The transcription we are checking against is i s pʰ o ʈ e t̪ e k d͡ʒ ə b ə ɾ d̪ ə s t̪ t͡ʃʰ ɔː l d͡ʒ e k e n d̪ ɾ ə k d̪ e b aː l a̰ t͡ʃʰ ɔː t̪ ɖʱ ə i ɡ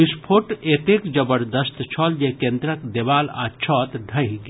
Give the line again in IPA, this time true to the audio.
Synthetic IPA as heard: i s pʰ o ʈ e t̪ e k d͡ʒ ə b ə ɾ d̪ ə s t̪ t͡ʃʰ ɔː l d͡ʒ e k e n d̪ ɾ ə k d̪ e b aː l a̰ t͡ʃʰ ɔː t̪ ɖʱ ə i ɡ

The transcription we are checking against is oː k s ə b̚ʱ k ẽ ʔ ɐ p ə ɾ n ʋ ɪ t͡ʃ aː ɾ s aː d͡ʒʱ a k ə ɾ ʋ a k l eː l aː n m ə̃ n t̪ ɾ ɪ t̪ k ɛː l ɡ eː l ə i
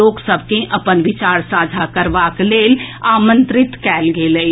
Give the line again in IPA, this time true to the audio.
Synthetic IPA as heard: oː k s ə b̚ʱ k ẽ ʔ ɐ p ə n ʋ ɪ t͡ʃ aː ɾ s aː d͡ʒʱ a k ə ɾ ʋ a k l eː l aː m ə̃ n t̪ ɾ ɪ t̪ k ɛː l ɡ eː l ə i

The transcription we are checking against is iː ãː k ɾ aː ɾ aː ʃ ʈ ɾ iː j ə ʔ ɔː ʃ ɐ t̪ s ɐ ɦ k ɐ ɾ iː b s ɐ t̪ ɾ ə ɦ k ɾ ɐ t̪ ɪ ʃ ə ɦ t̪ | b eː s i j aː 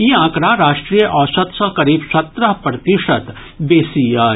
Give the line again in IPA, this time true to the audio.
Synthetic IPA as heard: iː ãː k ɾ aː ɾ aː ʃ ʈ ɾ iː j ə ʔ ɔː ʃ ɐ t̪ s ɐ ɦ k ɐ ɾ iː b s ɐ t̪ ɾ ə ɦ p ɾ ɐ t̪ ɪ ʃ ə t̪ | b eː s i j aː

